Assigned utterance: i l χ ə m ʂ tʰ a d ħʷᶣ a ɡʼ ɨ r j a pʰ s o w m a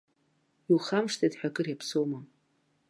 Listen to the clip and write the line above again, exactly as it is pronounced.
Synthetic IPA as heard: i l χ a m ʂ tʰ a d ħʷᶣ a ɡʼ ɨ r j a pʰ s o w m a